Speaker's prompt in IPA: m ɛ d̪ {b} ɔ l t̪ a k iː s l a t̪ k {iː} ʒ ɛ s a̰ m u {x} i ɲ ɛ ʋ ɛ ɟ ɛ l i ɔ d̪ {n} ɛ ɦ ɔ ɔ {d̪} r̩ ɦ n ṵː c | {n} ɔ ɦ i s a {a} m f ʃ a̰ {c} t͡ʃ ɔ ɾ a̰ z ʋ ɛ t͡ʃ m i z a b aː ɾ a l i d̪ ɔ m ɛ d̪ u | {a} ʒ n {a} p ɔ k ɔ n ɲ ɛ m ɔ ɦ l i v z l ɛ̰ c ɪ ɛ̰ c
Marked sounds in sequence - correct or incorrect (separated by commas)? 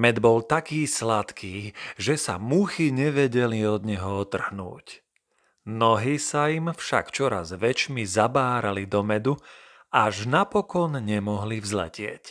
correct, correct, correct, incorrect, incorrect, correct, incorrect, incorrect, correct, correct